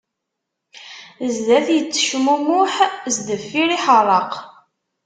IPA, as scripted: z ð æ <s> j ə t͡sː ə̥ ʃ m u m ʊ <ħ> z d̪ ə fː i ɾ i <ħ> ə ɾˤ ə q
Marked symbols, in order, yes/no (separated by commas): no, yes, yes